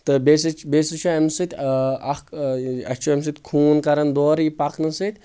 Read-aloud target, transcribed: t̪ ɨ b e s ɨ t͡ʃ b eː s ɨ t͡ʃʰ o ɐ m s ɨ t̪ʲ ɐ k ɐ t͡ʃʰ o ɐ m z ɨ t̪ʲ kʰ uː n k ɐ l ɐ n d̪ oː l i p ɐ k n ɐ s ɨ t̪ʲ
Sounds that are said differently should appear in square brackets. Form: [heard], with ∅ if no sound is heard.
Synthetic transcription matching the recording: t̪ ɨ b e s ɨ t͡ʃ b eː s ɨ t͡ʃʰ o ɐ m s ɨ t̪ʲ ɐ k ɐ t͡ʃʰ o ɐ m [s] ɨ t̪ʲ kʰ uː n k ɐ [ɾ] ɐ n d̪ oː [ɾ] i p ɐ k n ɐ s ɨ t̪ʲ